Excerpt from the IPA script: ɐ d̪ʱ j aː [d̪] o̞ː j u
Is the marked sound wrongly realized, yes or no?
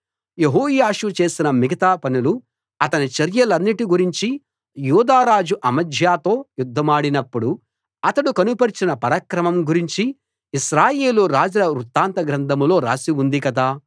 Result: yes